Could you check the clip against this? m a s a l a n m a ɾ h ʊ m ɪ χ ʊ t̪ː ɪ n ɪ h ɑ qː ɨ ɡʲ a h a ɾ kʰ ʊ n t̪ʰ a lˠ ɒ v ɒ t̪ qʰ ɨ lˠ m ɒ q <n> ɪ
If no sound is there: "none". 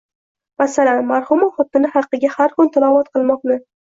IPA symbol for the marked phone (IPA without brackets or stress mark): n